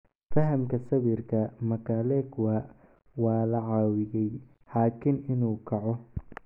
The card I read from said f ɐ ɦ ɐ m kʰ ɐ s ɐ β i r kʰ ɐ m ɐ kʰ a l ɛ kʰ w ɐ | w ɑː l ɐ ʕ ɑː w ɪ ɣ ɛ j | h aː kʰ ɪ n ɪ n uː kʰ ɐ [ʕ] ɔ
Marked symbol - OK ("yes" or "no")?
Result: yes